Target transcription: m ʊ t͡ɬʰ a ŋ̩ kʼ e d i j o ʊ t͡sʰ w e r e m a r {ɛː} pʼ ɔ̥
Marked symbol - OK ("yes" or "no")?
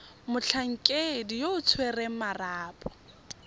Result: no